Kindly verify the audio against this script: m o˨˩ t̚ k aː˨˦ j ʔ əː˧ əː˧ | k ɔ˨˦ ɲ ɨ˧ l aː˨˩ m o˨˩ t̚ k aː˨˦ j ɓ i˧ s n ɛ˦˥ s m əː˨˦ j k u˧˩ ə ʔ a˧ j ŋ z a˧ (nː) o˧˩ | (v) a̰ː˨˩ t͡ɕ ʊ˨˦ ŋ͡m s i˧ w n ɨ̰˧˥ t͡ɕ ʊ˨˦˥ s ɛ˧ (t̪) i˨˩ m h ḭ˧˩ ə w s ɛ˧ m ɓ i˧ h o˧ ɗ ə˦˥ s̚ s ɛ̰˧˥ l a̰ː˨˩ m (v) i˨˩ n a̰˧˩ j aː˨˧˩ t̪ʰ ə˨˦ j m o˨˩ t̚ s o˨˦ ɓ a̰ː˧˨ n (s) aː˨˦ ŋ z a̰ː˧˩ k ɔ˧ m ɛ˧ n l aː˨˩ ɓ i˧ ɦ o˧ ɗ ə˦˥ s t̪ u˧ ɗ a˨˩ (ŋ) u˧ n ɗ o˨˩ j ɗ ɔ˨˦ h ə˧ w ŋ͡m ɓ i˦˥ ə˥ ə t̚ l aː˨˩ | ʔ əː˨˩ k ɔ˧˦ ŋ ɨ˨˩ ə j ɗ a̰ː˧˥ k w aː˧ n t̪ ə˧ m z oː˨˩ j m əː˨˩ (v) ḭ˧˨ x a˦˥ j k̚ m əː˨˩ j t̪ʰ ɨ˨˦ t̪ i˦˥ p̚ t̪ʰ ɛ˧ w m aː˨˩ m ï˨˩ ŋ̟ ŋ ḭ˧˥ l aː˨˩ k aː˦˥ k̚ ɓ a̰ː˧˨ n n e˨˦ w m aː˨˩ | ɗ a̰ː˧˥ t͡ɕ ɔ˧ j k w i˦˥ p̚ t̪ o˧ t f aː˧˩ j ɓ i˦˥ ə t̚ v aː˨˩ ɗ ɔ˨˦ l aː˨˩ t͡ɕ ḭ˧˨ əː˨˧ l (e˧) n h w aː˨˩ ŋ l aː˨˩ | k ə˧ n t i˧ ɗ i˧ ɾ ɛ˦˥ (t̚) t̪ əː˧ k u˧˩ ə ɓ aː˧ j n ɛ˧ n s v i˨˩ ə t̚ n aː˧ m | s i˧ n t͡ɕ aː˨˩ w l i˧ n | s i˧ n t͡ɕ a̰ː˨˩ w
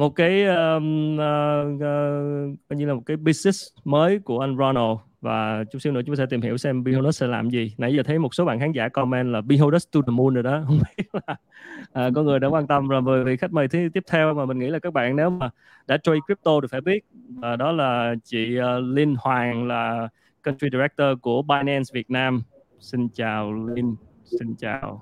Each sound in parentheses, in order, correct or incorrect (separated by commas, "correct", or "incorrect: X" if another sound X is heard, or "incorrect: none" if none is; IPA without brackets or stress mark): incorrect: n, correct, correct, incorrect: z, incorrect: x, incorrect: m, correct, incorrect: i˧, incorrect: k̚